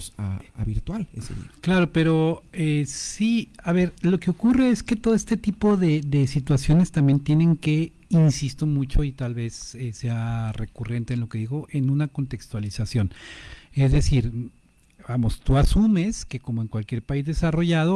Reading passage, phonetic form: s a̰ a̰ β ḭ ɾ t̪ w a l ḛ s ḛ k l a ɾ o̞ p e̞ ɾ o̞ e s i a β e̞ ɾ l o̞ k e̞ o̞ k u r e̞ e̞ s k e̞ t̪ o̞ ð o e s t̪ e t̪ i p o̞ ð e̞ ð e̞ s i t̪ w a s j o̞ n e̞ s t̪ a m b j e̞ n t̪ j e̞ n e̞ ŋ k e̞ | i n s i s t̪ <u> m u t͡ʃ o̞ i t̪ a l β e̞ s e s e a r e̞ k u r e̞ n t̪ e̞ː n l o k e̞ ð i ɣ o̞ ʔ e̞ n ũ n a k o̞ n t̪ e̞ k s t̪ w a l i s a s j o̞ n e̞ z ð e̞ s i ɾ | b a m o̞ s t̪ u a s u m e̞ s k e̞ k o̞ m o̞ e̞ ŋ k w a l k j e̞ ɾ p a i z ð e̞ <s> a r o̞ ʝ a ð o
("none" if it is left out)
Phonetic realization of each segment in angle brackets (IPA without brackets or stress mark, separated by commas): o, s